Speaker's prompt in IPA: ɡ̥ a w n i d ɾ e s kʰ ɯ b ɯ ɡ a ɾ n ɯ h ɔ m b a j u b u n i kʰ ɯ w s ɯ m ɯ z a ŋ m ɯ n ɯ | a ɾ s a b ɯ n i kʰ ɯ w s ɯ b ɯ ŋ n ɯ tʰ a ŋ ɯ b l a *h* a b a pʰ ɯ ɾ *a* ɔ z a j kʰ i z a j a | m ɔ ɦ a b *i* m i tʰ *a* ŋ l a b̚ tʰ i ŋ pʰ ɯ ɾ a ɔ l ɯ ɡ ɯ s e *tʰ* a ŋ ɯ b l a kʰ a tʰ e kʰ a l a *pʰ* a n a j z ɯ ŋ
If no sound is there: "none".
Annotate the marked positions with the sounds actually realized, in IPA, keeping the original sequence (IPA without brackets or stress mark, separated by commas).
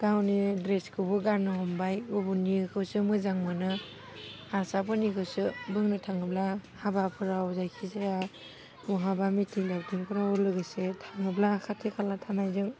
h, a, a, i, tʰ, tʰ